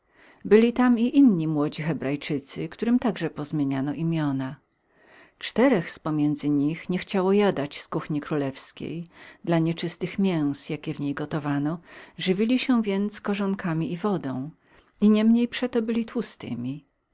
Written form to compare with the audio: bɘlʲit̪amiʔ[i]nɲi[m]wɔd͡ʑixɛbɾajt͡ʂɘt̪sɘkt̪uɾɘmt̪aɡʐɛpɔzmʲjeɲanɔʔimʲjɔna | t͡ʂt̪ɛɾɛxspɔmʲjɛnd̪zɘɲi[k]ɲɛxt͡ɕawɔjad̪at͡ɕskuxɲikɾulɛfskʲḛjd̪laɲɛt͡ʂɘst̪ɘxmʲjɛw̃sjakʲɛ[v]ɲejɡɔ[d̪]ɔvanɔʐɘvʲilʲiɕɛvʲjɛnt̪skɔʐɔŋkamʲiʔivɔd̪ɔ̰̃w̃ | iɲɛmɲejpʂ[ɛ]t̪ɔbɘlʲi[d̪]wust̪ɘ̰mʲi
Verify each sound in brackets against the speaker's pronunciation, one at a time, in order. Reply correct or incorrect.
correct, correct, incorrect, correct, incorrect, correct, incorrect

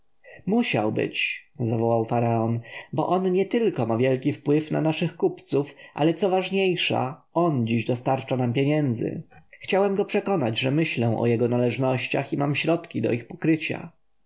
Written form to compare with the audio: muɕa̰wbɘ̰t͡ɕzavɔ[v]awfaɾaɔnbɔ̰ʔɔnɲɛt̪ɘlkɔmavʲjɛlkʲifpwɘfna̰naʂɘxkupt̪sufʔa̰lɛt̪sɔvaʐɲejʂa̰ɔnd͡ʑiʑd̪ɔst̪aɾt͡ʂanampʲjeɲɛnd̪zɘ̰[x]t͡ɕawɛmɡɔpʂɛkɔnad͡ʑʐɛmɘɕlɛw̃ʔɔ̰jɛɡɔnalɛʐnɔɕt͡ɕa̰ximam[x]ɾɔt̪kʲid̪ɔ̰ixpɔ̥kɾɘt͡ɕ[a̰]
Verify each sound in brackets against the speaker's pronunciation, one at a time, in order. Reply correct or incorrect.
incorrect, correct, incorrect, correct

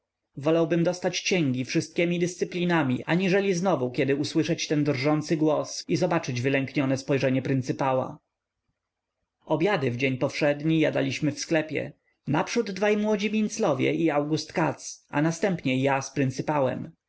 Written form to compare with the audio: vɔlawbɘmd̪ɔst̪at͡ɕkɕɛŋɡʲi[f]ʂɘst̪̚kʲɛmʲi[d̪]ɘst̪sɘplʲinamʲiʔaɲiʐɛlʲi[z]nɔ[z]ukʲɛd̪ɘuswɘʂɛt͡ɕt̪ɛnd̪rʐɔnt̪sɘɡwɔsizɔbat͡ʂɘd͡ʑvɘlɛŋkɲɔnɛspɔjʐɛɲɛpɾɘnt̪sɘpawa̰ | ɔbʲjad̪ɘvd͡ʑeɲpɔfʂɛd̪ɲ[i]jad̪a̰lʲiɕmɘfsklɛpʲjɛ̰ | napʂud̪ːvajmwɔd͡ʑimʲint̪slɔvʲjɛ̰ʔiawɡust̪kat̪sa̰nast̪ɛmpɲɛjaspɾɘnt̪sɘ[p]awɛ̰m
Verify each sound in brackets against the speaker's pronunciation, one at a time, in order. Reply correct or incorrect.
correct, correct, correct, incorrect, correct, correct

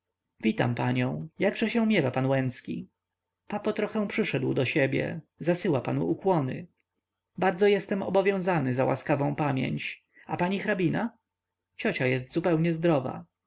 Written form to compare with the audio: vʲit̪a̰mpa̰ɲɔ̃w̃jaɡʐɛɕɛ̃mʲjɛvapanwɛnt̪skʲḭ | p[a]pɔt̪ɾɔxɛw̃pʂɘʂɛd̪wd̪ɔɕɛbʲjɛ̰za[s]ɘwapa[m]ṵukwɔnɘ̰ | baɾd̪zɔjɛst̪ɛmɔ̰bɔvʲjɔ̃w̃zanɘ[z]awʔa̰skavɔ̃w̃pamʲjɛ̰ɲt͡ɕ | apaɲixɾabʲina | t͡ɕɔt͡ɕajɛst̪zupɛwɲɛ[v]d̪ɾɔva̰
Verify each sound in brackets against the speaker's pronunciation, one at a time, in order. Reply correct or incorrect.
correct, correct, incorrect, correct, incorrect

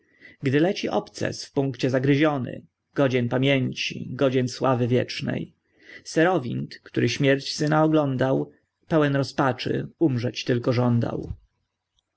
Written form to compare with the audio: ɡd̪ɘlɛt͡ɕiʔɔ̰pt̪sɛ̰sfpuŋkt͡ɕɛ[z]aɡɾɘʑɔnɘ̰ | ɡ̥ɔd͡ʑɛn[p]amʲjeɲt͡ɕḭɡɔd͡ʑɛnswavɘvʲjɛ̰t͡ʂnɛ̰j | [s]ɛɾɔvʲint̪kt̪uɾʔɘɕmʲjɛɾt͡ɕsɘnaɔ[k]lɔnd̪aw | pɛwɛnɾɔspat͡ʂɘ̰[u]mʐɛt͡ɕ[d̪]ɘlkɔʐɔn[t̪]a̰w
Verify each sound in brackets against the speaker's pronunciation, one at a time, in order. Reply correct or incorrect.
correct, correct, correct, incorrect, correct, incorrect, incorrect

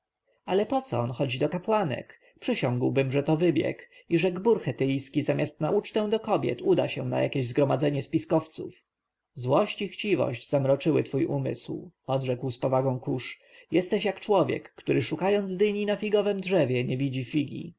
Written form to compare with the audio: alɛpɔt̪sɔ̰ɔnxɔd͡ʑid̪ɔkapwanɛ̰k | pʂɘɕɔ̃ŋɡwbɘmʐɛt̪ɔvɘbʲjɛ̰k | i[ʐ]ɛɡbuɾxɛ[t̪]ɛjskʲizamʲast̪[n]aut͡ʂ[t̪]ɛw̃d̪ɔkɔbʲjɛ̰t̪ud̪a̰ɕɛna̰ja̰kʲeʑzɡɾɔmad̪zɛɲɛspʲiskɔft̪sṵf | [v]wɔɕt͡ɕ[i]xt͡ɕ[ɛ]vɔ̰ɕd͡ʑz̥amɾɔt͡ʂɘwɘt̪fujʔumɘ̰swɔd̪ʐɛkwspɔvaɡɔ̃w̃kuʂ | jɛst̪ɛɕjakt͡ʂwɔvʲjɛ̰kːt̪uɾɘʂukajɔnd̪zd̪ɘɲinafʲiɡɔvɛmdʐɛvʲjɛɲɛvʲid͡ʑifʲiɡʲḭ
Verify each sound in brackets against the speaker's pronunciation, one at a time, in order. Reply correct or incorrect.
correct, correct, correct, correct, incorrect, correct, incorrect

